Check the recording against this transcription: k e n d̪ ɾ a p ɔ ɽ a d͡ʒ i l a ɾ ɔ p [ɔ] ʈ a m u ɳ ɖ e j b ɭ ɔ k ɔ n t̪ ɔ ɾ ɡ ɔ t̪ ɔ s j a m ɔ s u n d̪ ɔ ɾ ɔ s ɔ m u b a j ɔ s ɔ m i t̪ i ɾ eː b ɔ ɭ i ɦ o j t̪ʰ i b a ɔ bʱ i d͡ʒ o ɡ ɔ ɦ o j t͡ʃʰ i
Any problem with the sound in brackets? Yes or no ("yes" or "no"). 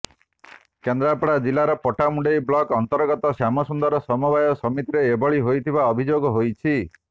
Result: no